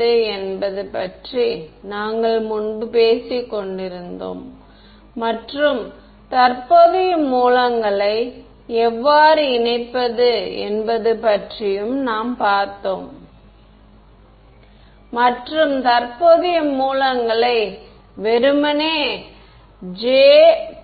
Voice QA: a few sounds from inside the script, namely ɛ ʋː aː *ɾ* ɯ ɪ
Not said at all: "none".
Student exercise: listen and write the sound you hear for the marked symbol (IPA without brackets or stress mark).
ɾ